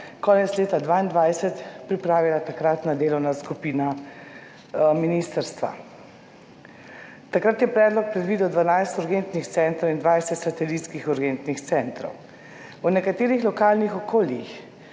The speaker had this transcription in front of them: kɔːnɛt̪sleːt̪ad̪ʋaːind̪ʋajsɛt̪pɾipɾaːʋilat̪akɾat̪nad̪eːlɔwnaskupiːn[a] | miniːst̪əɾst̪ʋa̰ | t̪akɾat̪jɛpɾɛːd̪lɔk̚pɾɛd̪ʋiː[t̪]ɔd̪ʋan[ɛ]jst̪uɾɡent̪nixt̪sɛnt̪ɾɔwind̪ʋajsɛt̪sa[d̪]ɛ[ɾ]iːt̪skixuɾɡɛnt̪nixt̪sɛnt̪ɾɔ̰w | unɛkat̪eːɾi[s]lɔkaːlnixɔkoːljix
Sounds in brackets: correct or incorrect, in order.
correct, incorrect: d̪, incorrect: a, incorrect: t̪, incorrect: l, incorrect: x

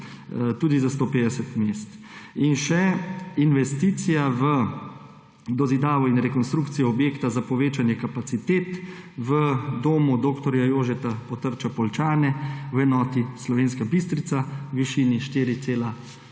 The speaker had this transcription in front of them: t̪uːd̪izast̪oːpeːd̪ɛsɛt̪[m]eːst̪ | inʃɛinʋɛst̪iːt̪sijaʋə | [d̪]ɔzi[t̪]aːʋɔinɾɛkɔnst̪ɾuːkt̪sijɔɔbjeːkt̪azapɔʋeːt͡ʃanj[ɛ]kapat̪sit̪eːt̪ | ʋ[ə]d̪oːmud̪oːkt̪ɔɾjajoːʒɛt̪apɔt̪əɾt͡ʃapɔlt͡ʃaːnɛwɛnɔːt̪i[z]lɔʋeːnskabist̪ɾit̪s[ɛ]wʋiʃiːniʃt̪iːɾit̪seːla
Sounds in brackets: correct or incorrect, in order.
correct, correct, incorrect: d̪, correct, correct, incorrect: s, incorrect: a

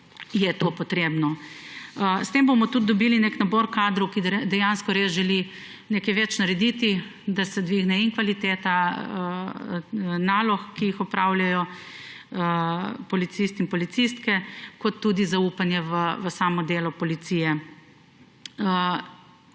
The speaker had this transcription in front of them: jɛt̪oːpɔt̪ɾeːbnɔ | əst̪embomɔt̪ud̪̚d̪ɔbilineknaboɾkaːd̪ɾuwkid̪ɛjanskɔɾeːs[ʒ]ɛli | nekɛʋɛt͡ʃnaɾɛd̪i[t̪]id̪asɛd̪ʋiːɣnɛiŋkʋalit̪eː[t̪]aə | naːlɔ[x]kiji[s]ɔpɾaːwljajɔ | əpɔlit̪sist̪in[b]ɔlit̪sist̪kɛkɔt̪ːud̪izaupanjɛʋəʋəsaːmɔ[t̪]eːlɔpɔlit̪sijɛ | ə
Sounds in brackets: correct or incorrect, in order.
correct, correct, correct, correct, incorrect: x, incorrect: p, incorrect: d̪

